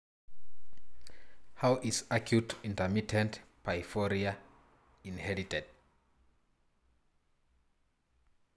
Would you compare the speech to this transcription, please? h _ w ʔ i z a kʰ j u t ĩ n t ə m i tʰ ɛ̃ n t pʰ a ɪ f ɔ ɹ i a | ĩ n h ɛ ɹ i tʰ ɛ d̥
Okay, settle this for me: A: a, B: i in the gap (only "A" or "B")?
A